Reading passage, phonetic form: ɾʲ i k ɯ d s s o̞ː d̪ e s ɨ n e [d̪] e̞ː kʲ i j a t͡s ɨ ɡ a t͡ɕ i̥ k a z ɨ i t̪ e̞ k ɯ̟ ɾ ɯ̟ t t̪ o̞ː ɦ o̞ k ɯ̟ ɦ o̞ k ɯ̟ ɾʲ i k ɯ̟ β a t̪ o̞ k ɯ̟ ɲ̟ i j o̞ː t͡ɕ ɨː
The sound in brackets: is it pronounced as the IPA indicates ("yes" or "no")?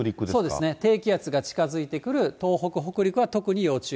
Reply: no